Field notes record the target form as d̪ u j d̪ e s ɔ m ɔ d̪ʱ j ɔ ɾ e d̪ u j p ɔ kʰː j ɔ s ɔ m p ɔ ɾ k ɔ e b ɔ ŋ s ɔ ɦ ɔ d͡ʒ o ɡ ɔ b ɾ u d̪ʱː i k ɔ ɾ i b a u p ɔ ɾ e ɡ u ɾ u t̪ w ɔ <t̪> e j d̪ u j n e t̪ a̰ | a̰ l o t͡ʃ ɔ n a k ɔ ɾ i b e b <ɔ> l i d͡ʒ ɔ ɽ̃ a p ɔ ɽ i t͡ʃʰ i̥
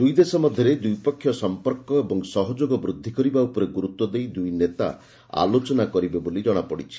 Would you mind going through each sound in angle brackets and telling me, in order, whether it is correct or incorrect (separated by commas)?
incorrect, incorrect